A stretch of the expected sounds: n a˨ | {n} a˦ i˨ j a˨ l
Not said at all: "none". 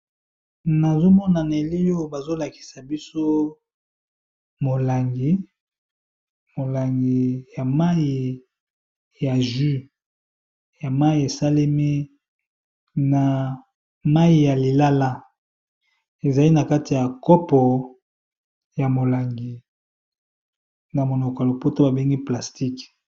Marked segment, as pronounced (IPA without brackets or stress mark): m